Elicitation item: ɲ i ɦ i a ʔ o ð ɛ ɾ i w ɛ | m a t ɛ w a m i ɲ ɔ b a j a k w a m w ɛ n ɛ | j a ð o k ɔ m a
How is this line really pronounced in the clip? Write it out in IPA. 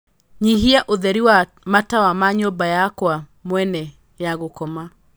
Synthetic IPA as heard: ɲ i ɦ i a ʔ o ð ɛ ɾ i w a | m a t a w a m a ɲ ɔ b a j a k w a m w ɛ n ɛ | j a ɣ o k ɔ m a